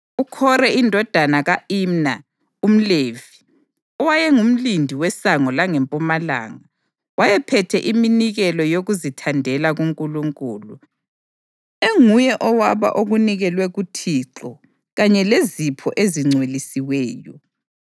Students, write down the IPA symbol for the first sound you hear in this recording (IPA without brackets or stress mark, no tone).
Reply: u